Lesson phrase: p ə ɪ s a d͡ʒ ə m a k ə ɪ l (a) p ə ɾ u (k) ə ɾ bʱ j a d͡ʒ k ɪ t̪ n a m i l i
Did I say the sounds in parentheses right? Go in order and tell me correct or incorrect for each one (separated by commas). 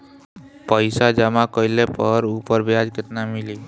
incorrect, incorrect